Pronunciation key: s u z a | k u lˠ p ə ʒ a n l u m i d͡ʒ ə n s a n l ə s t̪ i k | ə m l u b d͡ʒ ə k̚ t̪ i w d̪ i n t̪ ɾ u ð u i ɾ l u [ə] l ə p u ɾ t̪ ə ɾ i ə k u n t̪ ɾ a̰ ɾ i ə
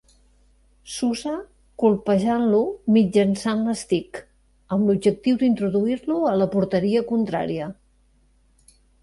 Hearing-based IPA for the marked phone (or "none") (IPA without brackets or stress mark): ə